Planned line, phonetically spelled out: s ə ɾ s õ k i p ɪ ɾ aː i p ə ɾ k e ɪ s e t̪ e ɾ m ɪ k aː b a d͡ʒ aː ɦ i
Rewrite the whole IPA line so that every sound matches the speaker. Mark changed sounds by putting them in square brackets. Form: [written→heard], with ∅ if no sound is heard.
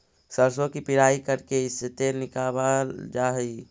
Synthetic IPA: s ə ɾ s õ k i p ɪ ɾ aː i [p→k] ə ɾ k e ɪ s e t̪ e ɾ [m→n] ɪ k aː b a d͡ʒ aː ɦ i